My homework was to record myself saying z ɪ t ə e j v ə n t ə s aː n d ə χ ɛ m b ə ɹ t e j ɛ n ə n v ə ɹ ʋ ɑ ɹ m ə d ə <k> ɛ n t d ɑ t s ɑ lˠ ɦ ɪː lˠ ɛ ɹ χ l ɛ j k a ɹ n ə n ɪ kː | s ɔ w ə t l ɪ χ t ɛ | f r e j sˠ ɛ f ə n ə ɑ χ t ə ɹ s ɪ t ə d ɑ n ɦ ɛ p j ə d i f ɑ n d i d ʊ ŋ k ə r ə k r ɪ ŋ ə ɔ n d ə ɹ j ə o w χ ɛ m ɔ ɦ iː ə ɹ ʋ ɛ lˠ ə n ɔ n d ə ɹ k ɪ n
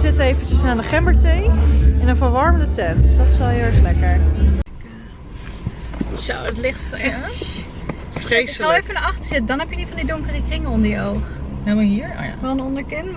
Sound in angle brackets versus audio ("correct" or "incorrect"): incorrect